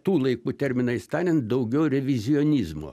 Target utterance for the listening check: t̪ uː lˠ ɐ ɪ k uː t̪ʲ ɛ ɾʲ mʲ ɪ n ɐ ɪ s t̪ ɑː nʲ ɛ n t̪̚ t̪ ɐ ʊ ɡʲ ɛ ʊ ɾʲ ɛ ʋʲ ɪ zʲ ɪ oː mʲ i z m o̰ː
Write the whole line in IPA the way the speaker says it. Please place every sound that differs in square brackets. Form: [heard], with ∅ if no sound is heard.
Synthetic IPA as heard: t̪ uː lˠ ɐ ɪ k uː t̪ʲ ɛ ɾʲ mʲ ɪ n ɐ ɪ s t̪ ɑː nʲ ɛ n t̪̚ [d̪] ɐ ʊ ɡʲ ɛ ʊ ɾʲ ɛ ʋʲ ɪ zʲ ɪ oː [nʲ] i z m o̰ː